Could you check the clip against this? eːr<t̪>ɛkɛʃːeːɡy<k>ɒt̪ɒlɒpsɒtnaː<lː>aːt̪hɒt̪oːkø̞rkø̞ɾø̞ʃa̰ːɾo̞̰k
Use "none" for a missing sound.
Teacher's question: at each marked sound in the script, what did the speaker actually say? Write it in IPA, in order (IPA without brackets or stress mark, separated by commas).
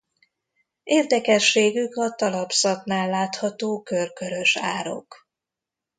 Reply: d̪, k, lː